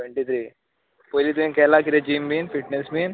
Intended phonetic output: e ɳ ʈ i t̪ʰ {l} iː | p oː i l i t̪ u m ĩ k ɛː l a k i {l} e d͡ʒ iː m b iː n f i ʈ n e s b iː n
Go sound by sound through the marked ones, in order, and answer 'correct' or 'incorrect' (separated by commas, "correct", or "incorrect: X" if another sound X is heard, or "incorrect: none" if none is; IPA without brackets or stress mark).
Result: incorrect: ɾ, incorrect: ɾ